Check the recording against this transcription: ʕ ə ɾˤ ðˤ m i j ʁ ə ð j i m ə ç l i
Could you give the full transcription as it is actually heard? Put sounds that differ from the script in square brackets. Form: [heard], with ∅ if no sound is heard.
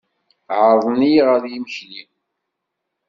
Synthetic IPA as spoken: ʕ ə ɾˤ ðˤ [n] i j ʁ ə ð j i m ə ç l i